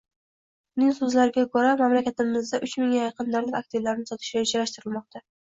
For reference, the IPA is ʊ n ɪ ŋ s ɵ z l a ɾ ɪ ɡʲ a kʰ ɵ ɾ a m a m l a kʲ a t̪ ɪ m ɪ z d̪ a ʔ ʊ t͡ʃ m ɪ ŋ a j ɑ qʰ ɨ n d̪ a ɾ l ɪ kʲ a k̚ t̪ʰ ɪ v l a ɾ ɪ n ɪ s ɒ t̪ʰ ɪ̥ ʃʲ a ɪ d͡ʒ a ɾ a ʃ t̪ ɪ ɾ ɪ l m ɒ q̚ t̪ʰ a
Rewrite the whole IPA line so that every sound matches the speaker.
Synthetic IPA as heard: ʊ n ɪ ŋ s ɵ z l a ɾ ɪ ɡʲ a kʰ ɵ ɾ a m a m l a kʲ a t̪ ɪ m ɪ z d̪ a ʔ ʊ t͡ʃ m ɪ ŋ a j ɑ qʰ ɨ n d̪ a ɾ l ɪ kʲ a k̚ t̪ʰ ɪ v l a ɾ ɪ n ɪ s ɒ t̪ʰ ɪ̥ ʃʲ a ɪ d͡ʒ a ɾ a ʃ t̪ ɪ ɾ ɪ l m ɒ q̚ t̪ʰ a